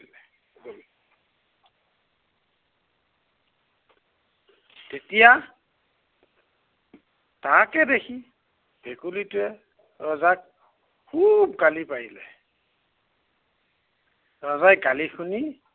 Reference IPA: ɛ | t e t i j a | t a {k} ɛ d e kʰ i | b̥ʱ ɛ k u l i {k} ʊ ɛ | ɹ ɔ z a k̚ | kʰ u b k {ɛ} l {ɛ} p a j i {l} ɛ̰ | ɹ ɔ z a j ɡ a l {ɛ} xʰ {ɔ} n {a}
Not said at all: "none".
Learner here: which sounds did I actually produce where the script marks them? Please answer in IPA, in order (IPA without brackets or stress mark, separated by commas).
k, t, a, i, l, i, u, i